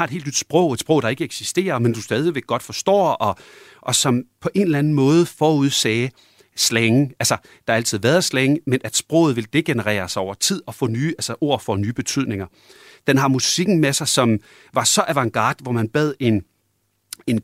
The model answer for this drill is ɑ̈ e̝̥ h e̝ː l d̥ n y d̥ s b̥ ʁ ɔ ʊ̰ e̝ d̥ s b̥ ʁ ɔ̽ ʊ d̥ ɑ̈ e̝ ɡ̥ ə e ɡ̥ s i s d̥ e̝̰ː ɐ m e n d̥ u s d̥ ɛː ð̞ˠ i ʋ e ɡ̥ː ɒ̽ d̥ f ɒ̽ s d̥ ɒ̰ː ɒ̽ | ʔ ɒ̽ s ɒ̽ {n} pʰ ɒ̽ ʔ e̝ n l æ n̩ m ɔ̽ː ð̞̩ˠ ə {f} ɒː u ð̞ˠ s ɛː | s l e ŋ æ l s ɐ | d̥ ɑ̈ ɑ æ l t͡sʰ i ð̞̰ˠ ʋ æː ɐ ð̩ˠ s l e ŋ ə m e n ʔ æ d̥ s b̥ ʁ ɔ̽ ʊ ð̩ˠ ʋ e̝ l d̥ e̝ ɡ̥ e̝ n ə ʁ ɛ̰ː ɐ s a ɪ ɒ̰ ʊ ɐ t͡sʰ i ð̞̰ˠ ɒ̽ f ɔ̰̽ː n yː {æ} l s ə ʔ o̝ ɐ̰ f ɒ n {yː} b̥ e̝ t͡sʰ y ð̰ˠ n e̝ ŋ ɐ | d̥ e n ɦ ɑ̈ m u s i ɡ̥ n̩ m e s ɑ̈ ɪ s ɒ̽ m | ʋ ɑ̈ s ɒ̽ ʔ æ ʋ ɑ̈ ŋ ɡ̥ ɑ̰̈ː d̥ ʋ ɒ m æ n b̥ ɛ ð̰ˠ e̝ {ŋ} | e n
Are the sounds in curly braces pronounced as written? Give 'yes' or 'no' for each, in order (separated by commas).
no, yes, yes, yes, no